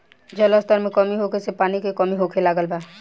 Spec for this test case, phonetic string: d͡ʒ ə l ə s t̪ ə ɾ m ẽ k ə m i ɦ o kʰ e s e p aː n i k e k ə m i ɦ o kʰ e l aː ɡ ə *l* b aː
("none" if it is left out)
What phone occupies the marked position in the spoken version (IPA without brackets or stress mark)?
l